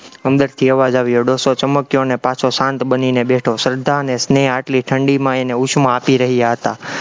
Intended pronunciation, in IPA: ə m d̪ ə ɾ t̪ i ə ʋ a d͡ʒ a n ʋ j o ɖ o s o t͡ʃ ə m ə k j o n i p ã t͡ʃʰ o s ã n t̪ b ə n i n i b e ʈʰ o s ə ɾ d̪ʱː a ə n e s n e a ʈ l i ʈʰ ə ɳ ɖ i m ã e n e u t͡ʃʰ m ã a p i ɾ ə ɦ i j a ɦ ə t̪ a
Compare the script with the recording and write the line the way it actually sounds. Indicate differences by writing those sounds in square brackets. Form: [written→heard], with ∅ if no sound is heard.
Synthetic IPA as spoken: ə m d̪ ə ɾ [t̪→t̪ʰ] i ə ʋ a d͡ʒ a [n→∅] ʋ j o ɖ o s o t͡ʃ ə m ə k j o n [i→e] p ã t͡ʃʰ o s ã n t̪ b ə n i n [i→e] b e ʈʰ o s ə ɾ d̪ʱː a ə n e s n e a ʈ l i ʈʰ ə ɳ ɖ i m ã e n e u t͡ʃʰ m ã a p i ɾ ə ɦ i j a ɦ ə t̪ a